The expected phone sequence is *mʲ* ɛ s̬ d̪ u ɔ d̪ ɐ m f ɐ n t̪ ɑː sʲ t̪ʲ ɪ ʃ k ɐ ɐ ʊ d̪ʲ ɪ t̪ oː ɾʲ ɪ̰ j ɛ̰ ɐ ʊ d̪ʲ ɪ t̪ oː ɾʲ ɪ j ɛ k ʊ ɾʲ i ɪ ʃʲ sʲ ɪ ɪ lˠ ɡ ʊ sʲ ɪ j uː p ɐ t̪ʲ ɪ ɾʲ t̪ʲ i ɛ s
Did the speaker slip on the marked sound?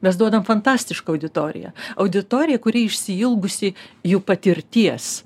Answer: no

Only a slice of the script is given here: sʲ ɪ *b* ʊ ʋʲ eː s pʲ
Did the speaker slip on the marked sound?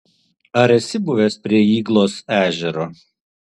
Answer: no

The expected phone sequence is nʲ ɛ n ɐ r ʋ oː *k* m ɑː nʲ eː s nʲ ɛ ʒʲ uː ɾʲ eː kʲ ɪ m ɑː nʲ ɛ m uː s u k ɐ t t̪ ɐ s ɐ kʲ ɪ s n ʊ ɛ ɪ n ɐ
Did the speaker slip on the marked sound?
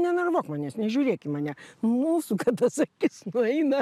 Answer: no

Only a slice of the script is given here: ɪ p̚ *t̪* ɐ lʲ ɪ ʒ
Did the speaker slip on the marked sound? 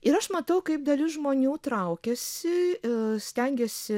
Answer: yes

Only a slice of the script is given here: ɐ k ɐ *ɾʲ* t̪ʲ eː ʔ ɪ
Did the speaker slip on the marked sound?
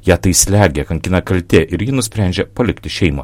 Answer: yes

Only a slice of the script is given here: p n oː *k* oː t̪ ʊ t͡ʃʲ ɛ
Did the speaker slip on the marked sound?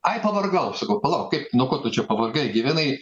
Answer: no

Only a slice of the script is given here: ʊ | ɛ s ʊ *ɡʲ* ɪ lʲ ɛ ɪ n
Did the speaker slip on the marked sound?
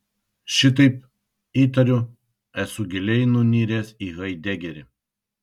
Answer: no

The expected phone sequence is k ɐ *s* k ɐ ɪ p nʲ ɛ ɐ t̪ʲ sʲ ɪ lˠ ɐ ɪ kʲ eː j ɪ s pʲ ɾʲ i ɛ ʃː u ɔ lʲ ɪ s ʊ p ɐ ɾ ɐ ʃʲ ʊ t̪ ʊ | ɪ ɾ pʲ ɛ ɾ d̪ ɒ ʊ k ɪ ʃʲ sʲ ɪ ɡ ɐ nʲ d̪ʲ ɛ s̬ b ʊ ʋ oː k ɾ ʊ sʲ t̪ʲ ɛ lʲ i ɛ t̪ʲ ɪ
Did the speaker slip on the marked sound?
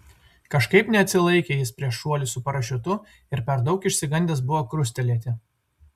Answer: yes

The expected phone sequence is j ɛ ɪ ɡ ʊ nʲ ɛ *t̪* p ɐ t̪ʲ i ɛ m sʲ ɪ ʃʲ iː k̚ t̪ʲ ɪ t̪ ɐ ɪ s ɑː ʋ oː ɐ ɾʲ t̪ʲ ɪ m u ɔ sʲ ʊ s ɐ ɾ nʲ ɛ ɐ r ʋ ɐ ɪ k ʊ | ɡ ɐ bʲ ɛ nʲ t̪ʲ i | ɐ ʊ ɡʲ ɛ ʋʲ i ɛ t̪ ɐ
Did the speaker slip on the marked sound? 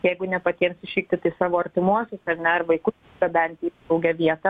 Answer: yes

